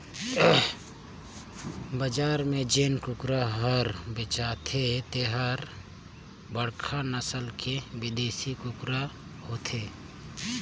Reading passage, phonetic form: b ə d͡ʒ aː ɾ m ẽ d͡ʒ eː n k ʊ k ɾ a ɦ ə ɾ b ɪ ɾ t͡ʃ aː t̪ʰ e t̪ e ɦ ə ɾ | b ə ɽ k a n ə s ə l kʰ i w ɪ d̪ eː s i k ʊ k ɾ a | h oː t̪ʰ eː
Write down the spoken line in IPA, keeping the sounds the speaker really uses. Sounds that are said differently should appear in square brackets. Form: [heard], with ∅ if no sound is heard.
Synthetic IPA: b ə d͡ʒ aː ɾ m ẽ d͡ʒ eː n k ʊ k ɾ a ɦ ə ɾ b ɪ [∅] t͡ʃ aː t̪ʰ e t̪ e ɦ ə ɾ | b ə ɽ [kʰ] a n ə s ə l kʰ [e] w ɪ d̪ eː s i k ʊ k ɾ a | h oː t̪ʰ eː